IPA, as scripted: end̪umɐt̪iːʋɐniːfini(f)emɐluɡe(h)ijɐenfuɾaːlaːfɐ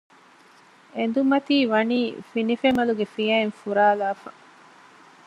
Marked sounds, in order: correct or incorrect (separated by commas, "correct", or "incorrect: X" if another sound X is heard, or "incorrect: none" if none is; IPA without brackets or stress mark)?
correct, incorrect: f